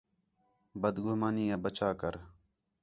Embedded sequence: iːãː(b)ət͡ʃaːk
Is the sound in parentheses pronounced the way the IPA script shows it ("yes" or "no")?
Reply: yes